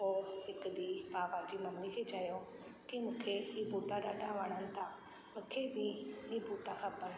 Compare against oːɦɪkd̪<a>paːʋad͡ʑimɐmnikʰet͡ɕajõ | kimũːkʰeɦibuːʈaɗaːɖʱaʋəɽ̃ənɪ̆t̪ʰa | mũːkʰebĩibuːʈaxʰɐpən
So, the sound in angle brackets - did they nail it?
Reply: no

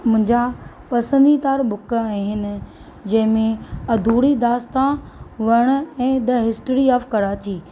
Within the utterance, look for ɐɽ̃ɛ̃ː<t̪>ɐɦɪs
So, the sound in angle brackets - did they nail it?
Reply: no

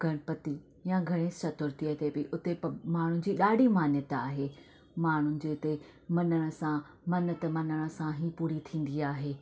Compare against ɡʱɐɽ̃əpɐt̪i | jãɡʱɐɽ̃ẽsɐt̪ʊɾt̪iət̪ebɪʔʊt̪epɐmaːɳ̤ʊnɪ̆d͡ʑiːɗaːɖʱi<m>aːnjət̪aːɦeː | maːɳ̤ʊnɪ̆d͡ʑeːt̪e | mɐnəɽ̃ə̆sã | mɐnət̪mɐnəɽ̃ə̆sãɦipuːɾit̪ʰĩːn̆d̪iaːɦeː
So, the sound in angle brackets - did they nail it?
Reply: yes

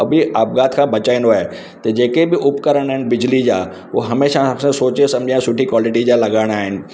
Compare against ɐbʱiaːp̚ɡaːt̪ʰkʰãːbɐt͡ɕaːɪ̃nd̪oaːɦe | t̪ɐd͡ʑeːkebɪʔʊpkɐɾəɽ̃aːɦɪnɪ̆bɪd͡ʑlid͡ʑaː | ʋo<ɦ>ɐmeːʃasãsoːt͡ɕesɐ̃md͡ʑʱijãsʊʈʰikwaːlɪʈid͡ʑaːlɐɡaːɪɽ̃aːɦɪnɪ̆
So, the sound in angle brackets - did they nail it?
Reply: yes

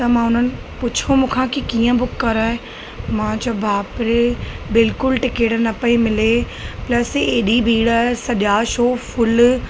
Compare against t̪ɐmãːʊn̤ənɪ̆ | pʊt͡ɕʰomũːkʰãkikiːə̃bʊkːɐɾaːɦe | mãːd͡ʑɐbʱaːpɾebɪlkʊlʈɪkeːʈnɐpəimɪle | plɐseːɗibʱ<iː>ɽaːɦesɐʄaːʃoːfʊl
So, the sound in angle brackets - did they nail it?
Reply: yes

